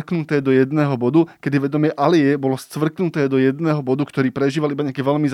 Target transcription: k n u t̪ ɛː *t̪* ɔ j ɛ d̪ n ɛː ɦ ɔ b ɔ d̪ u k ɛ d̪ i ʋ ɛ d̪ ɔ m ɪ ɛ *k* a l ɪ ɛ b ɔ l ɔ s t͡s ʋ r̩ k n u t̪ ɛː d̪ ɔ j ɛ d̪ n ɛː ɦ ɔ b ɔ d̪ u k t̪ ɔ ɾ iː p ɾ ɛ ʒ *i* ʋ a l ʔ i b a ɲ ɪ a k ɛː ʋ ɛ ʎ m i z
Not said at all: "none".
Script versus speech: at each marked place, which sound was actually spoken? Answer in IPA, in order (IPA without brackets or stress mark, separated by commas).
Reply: d̪, ʔ, iː